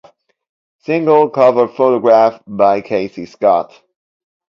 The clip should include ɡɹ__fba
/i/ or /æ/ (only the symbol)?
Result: æ